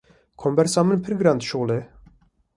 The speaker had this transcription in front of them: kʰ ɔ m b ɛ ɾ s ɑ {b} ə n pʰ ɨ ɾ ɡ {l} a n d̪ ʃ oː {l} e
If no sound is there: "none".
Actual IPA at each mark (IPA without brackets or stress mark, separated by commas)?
m, ɾ, l